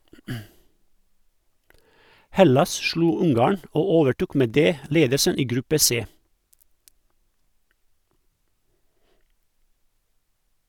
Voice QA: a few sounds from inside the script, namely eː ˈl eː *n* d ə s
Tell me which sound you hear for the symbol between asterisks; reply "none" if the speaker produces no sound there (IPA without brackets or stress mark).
none